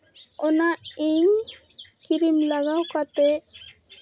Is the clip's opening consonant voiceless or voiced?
voiced